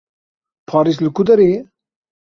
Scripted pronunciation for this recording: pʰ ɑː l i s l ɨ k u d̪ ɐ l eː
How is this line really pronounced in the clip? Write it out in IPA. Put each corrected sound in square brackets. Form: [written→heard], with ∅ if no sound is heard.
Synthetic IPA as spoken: pʰ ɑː [l→ɾ] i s l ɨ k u d̪ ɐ [l→ɾ] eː